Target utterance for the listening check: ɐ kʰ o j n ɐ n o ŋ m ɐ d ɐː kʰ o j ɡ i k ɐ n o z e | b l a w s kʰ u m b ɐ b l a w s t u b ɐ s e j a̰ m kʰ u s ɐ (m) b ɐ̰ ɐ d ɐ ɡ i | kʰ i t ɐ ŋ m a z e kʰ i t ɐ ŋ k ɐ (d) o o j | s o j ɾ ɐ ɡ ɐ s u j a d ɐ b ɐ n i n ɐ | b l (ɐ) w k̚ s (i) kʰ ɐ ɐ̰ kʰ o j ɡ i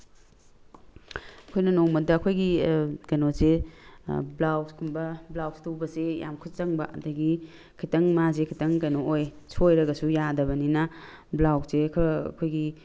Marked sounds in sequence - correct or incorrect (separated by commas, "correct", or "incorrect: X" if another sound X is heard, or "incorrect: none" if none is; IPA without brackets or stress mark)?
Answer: incorrect: ŋ, incorrect: n, incorrect: a, incorrect: e